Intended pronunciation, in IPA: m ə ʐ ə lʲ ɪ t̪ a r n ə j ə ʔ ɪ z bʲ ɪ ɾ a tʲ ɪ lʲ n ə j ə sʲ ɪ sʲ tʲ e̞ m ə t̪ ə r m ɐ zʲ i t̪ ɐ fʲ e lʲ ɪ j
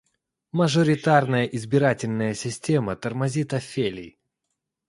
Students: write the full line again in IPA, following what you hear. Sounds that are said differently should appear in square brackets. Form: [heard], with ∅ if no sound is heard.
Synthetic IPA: m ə ʐ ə [ɾʲ] ɪ t̪ a r n ə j ə ʔ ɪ z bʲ ɪ ɾ a tʲ ɪ lʲ n ə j ə sʲ ɪ sʲ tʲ e̞ m ə t̪ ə r m ɐ zʲ i t̪ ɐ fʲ e lʲ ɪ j